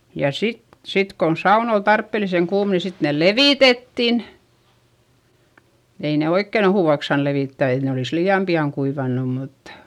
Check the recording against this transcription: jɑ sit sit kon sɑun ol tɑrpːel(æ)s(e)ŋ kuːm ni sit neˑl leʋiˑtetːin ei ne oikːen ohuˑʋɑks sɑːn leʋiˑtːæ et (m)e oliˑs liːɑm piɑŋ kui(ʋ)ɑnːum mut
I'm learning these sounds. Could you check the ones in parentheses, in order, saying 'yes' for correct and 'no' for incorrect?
no, yes, no, yes

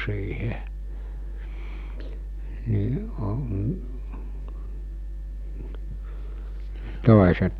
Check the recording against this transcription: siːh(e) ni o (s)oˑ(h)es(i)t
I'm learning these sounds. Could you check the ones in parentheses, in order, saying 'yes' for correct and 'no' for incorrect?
yes, no, no, no

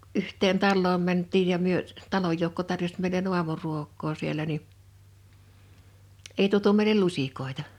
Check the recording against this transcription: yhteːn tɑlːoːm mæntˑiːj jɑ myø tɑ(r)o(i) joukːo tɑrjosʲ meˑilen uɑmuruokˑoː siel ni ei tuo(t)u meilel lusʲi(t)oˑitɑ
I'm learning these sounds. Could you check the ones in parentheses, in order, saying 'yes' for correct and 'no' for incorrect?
no, no, yes, no

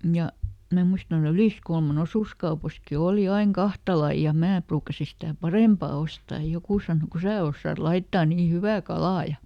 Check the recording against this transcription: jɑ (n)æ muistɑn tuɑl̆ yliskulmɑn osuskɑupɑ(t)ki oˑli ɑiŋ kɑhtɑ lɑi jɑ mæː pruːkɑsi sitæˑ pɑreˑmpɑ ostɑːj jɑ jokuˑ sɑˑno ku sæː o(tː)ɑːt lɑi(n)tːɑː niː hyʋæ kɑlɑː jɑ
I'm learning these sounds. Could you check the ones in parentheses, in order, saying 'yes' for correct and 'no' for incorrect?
no, no, no, no

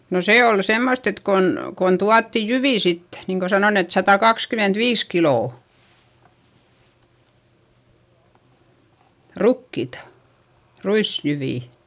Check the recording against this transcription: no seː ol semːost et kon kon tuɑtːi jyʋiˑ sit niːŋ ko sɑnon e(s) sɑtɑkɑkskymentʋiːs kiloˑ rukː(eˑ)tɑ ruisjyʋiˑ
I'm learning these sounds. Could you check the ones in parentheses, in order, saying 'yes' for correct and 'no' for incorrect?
no, no

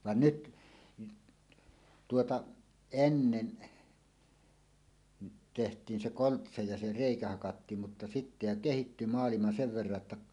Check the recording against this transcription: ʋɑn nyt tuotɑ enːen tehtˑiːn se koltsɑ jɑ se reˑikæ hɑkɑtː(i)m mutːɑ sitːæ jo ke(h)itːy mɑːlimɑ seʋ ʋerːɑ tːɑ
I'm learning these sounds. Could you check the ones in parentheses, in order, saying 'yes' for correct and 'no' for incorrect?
no, yes

